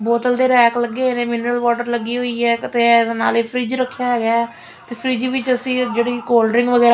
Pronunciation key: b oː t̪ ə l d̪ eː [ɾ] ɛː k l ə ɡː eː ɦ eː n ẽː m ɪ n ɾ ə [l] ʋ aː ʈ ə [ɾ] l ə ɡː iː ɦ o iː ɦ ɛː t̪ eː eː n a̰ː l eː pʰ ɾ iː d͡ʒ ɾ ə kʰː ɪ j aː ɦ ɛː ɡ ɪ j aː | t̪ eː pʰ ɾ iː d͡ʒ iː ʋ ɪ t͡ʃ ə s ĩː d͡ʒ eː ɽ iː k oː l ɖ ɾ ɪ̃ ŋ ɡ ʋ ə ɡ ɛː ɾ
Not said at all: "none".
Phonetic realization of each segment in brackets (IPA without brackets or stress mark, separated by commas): ɾ, l, ɾ